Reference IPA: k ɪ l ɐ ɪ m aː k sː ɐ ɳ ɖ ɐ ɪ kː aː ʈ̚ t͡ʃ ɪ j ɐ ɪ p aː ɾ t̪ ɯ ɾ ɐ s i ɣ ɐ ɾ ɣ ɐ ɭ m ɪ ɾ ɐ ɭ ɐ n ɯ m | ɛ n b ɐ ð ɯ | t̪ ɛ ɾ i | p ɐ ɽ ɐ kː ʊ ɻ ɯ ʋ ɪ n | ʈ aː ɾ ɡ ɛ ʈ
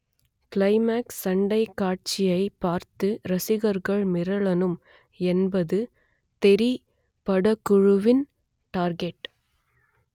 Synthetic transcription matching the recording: k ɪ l ɐ ɪ m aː k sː ɐ ɳ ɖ ɐ ɪ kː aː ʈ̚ t͡ʃ ɪ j ɐ ɪ p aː ɾ t̪ ɯ ɾ ɐ s ɪ ɣ ɐ ɾ ɣ ɐ ɭ m ɪ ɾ ɐ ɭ ɐ n ɯ m | ɛ n b ɐ ð ɯ | t̪ ɛ ɾ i | p ɐ ɽ ɐ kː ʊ ɻ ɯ ʋ ɪ n | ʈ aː ɾ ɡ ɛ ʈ